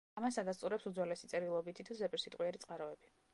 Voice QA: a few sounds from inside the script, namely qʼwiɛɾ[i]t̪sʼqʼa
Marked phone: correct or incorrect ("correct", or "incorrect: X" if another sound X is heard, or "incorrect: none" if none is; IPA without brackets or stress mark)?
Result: correct